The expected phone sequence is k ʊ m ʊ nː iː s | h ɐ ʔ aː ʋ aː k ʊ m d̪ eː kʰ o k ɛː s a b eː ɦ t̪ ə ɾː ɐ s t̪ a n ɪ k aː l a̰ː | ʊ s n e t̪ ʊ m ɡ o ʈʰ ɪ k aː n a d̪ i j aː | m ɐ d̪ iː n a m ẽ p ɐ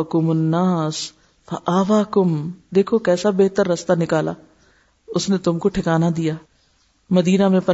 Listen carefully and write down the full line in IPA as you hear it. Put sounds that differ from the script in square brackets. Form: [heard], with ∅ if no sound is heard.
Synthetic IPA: k ʊ m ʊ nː [aː] s | [f] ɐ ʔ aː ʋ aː k ʊ m d̪ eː kʰ o k ɛː s a b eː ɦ t̪ ə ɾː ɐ s t̪ a n ɪ k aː l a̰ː | ʊ s n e t̪ ʊ m [k] o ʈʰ ɪ k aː n a d̪ i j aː | m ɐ d̪ iː n a m ẽ p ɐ